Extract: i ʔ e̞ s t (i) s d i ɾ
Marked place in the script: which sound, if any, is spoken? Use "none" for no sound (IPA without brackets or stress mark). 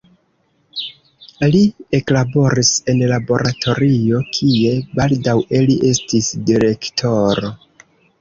i